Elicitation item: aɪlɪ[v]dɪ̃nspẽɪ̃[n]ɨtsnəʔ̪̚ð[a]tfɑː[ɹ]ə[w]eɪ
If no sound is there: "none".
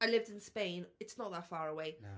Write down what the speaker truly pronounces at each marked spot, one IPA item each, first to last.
v, n, ə, ɹ, w

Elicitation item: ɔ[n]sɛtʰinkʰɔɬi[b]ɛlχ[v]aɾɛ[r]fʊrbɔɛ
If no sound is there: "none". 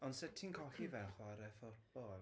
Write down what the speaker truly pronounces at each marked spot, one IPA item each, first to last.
n, v, w, none

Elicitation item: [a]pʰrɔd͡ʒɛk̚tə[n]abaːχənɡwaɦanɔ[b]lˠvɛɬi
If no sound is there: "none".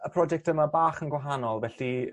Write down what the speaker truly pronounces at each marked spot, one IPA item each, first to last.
ə, m, none

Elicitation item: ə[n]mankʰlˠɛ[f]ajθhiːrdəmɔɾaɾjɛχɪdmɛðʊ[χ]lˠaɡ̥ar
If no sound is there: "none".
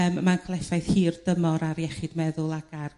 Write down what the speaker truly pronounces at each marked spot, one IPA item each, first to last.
m, f, none

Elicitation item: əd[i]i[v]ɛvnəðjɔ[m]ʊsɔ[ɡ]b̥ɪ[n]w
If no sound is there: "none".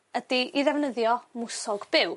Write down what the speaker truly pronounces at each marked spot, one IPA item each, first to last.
i, ð, m, ɡ, none

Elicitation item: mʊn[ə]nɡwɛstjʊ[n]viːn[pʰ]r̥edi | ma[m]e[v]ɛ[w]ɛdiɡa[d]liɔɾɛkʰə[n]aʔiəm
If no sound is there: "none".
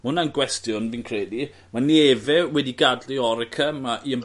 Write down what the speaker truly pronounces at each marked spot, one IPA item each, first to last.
a, n, kʰ, n, v, w, d, m

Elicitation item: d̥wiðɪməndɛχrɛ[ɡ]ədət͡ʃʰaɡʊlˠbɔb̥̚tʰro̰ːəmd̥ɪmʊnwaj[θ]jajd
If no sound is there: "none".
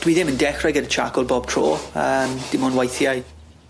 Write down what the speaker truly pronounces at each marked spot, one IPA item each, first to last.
ɡ, θ

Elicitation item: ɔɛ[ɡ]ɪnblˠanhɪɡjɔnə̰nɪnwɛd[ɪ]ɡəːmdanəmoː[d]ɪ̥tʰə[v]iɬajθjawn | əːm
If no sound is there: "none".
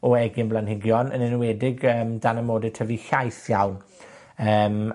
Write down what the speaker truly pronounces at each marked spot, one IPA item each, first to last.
ɡ, ɪ, d, v

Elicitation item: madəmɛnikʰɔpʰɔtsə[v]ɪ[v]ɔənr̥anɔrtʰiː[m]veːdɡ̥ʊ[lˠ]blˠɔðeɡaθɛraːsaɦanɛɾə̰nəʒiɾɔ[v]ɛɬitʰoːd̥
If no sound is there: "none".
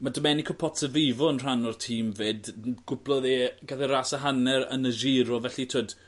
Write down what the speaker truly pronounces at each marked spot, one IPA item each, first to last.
v, v, m, none, v

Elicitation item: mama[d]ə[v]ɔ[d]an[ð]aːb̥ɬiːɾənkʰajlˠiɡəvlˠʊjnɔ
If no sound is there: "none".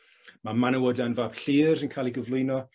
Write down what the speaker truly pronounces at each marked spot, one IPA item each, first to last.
n, w, d, v

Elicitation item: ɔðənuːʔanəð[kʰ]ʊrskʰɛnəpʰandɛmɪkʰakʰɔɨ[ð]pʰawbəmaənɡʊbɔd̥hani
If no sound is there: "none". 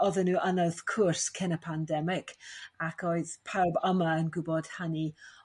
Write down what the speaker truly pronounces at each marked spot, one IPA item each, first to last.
kʰ, ð

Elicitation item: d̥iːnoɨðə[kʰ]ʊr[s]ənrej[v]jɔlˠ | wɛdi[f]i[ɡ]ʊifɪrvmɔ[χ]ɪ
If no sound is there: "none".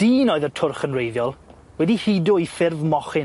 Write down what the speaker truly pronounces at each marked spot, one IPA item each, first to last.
tʰ, χ, ð, h, d, χ

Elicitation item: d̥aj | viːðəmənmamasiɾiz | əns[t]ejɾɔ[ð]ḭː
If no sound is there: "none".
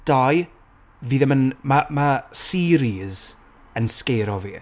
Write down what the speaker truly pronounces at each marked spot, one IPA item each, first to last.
k, v

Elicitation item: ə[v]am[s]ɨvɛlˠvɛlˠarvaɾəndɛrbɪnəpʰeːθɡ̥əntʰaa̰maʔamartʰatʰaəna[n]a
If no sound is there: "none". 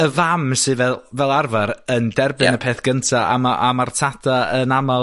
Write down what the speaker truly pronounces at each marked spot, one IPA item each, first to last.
v, s, m

